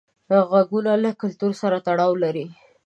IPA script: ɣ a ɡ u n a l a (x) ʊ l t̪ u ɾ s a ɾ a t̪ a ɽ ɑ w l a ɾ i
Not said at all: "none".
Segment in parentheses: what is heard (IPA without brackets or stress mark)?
k